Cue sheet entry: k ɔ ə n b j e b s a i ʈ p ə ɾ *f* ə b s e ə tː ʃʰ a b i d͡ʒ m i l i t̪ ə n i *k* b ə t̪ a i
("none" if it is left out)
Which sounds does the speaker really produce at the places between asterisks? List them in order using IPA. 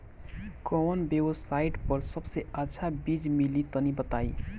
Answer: s, none

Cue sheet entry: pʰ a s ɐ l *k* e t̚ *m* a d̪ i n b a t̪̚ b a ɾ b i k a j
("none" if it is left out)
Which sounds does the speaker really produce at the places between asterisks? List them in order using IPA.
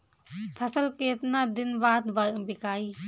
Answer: k, n

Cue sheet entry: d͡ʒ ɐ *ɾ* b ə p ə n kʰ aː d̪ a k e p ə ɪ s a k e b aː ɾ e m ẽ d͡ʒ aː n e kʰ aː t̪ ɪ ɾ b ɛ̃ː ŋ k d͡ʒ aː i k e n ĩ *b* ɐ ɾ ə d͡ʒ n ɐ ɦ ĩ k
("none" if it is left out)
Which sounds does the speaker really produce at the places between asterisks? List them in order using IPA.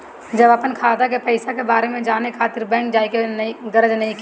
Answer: none, ɡ

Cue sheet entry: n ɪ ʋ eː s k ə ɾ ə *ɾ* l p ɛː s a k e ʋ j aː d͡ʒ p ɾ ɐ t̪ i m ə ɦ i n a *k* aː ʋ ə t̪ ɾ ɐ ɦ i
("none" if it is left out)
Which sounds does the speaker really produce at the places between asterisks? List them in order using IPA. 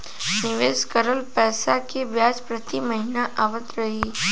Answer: none, ʔ

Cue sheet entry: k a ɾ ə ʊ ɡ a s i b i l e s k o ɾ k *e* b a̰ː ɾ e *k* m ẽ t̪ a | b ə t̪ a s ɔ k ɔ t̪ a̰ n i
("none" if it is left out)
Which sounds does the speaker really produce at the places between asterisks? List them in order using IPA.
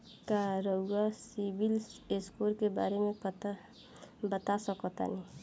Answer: e, none

